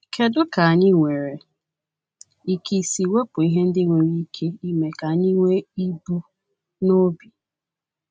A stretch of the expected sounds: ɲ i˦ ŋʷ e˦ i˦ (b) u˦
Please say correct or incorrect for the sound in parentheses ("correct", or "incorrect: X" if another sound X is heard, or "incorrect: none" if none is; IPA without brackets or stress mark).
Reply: correct